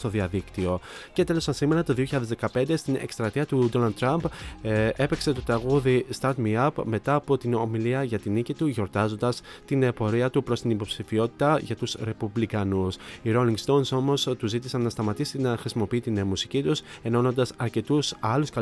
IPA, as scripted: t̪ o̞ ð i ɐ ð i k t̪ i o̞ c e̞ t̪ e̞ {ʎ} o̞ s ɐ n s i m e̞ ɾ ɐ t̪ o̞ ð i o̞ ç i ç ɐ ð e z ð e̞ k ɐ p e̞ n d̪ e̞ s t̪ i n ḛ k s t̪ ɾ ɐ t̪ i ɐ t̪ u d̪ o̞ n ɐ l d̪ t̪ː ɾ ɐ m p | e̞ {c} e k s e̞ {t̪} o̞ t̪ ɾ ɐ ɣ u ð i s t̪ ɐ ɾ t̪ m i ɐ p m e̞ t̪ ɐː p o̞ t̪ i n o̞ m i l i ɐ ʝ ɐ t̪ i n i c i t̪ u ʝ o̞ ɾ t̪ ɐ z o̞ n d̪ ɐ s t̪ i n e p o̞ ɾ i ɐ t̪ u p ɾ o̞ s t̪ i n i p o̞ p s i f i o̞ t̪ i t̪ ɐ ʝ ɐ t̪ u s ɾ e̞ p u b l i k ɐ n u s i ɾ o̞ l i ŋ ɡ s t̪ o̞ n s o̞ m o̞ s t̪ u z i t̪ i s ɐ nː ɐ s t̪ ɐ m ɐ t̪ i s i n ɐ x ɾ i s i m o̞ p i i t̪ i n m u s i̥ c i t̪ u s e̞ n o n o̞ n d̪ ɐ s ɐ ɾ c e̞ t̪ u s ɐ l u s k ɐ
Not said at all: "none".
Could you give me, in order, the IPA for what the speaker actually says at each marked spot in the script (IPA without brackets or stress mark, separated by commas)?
l, p, t̪